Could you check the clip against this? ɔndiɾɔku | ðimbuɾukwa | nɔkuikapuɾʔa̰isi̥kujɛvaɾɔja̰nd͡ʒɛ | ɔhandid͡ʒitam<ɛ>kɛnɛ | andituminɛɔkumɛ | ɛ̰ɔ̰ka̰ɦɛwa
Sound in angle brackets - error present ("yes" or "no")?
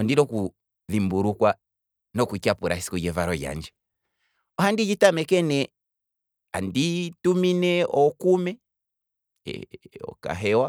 no